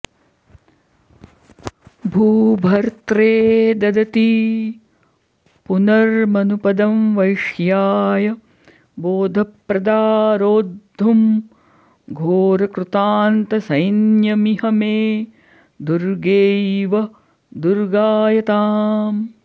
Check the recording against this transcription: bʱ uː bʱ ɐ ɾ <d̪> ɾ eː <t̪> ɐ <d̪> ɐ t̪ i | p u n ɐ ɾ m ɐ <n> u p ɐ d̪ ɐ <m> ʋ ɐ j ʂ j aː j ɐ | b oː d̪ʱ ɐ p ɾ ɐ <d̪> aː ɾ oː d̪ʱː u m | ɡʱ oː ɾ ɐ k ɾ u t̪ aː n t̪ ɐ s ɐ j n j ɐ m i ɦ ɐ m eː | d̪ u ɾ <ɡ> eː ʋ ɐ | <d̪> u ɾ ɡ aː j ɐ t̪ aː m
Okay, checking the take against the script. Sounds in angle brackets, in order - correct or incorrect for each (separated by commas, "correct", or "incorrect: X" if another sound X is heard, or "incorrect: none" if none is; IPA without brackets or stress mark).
incorrect: t̪, incorrect: d̪, correct, correct, correct, correct, correct, correct